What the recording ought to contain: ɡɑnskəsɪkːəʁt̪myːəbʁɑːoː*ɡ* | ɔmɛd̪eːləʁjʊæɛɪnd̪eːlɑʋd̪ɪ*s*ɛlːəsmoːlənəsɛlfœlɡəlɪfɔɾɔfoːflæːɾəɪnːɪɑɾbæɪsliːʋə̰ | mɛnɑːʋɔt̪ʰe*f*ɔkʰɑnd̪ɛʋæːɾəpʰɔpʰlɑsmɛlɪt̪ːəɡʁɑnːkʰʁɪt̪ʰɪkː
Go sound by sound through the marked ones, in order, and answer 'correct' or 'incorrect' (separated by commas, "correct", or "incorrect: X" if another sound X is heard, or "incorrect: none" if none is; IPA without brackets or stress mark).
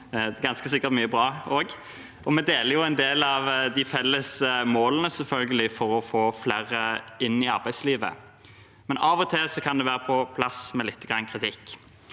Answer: correct, incorrect: f, incorrect: s